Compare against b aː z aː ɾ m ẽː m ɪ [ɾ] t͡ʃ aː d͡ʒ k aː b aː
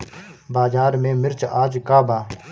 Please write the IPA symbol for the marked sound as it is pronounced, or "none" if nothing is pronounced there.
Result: ɾ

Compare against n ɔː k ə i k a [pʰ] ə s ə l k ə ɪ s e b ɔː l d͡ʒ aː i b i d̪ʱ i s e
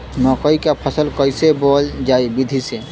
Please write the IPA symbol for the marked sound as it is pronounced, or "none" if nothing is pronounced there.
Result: pʰ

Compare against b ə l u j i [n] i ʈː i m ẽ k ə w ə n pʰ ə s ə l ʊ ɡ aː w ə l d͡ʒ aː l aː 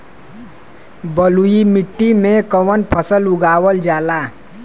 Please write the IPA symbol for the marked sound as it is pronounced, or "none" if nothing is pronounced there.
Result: m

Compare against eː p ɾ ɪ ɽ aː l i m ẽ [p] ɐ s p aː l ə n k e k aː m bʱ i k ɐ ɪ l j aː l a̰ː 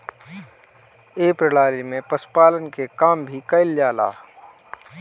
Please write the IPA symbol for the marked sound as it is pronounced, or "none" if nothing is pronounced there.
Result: p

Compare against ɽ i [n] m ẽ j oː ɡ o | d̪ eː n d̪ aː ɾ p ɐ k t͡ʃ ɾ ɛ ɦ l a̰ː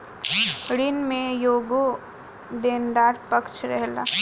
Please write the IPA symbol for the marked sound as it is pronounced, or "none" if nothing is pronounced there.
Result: n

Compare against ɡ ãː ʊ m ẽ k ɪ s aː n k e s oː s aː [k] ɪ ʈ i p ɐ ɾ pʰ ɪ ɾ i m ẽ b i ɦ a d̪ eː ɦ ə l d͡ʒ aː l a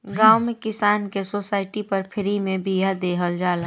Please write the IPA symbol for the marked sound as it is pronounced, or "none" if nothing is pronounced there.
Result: none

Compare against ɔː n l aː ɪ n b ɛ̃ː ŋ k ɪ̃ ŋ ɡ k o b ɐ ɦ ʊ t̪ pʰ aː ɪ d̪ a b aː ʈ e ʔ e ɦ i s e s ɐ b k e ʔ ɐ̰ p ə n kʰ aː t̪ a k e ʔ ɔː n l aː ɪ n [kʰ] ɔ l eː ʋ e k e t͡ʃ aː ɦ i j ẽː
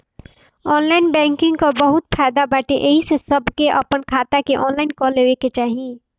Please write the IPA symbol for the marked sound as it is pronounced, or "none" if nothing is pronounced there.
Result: k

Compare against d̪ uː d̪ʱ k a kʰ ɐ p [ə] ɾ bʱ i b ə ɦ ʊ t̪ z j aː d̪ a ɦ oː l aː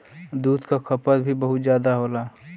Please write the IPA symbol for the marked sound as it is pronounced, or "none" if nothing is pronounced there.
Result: ə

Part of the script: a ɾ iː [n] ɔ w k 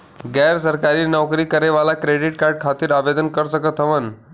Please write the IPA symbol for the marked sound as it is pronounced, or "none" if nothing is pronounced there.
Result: n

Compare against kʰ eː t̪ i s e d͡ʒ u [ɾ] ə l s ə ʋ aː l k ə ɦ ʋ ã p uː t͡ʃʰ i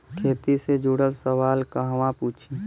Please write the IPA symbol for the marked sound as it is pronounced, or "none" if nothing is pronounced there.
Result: ɽ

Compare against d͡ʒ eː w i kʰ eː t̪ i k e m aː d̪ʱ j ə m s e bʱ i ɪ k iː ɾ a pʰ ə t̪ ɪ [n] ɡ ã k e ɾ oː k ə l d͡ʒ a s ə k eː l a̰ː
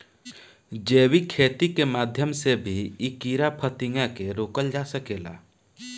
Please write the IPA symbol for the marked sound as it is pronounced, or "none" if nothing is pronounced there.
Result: ŋ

